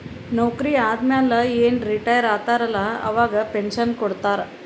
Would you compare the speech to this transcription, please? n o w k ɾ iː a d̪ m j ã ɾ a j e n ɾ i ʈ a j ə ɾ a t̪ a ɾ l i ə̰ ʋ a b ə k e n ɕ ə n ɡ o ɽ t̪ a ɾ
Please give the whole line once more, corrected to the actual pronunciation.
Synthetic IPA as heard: n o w k ɾ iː a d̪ m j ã l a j e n ɾ i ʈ a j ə ɾ a t̪ a ɾ l a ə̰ ʋ a ɡ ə p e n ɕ ə n k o ɽ t̪ a ɾ